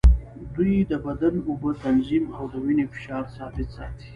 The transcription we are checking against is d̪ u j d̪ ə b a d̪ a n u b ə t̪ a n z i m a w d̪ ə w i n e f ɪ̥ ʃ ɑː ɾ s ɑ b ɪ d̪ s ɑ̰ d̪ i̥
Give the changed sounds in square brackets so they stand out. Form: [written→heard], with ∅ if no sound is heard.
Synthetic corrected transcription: d̪ u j d̪ ə b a d̪ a n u b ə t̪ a n z i m a w d̪ ə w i n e f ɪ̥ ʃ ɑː ɾ s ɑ b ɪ [d̪→t̪] s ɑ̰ [d̪→t̪] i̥